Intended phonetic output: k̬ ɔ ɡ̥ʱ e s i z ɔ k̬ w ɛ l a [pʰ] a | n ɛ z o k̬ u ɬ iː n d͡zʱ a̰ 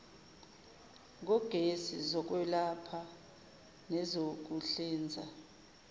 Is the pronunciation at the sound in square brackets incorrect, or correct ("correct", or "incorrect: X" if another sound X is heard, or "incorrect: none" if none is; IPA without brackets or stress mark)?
correct